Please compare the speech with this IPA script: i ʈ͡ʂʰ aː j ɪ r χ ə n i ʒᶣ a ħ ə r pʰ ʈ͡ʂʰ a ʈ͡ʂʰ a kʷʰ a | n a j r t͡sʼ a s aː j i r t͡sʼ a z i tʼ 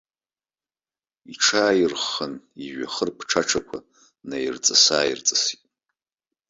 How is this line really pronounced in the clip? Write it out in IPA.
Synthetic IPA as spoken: i ʈ͡ʂʰ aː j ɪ r χ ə n i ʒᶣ a χ ə r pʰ ʈ͡ʂʰ a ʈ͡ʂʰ a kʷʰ a | n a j r t͡sʼ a s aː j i r t͡sʼ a s i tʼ